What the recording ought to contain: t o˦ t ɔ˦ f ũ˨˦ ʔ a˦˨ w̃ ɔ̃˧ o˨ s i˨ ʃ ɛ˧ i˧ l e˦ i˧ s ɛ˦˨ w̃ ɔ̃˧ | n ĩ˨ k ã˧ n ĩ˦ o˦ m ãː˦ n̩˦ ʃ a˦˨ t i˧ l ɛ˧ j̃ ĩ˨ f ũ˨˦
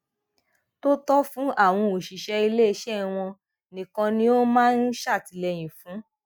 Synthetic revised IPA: t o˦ t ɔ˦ f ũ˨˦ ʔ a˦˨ w̃ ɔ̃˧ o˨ ʃ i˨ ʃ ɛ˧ i˧ l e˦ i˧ ʃ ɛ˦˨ w̃ ɔ̃˧ | n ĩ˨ k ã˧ n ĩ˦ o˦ m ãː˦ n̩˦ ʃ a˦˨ t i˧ l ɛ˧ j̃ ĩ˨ f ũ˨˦